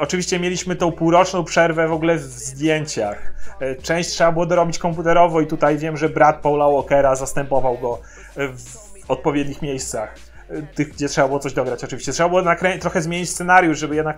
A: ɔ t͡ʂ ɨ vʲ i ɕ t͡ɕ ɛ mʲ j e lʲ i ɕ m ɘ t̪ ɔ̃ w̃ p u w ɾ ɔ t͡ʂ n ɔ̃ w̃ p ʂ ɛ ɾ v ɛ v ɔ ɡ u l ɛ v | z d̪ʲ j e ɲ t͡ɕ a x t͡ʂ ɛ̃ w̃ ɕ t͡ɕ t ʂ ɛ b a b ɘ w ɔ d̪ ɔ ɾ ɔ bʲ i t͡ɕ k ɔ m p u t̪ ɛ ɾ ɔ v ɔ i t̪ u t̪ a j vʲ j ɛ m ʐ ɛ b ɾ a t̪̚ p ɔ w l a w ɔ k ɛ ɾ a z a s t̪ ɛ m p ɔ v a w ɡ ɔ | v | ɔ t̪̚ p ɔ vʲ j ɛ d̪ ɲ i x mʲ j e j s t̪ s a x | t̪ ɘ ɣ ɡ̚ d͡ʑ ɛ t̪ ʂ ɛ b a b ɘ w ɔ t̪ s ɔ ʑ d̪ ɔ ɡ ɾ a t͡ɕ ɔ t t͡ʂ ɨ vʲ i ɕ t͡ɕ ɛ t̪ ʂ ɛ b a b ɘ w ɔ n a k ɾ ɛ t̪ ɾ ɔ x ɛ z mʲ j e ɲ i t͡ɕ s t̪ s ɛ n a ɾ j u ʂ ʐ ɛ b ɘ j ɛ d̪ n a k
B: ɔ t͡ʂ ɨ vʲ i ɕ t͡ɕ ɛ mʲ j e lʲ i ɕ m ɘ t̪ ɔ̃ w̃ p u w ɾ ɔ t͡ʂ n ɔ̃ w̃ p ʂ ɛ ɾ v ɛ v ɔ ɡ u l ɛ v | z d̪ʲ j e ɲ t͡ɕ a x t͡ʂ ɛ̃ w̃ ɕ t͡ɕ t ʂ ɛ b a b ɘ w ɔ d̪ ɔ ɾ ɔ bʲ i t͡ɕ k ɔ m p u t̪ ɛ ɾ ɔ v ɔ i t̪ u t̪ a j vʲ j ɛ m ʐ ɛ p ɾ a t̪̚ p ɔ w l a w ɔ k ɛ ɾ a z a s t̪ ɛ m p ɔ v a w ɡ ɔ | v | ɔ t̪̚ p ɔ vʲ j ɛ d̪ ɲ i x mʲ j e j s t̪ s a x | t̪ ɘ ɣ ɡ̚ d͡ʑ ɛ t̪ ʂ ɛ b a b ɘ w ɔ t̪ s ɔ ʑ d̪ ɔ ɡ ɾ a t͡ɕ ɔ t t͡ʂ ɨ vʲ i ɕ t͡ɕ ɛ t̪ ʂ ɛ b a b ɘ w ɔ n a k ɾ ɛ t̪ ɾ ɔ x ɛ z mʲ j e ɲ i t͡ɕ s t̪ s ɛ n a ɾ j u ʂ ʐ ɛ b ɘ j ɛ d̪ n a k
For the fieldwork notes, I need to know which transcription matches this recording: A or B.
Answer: A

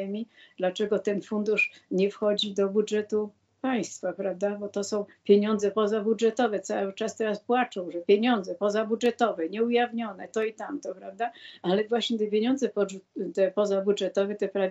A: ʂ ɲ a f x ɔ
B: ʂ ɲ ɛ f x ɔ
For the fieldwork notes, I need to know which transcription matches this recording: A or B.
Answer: B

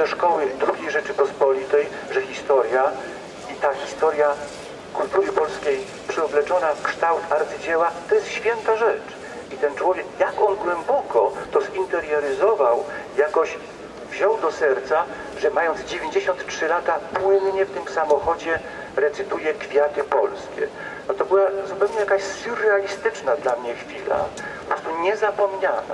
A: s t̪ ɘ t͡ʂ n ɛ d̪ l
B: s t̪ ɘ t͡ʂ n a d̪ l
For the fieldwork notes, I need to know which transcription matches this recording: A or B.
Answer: B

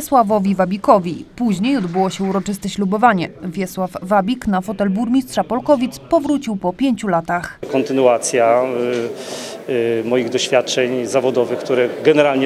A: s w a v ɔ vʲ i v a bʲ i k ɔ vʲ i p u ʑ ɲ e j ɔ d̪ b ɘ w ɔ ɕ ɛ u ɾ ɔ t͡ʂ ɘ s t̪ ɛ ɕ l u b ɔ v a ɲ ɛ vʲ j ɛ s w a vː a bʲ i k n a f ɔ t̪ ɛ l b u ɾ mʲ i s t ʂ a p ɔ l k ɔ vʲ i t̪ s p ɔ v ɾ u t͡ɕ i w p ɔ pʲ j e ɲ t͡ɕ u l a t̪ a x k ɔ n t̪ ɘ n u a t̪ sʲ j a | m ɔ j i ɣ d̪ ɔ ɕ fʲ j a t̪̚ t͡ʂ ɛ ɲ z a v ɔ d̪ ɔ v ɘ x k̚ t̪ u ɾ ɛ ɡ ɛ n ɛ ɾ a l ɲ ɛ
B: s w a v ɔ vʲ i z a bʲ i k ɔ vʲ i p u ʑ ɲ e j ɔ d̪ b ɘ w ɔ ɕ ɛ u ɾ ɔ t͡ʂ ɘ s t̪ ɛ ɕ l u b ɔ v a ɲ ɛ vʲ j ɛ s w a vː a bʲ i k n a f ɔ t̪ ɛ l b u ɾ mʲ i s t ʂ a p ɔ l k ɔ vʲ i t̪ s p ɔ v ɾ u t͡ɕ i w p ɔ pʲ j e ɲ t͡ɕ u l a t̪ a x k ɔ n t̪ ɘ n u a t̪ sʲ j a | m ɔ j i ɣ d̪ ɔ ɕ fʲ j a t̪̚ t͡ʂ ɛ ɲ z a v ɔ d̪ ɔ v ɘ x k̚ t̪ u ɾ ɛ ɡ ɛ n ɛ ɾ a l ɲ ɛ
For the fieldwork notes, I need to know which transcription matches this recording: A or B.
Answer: A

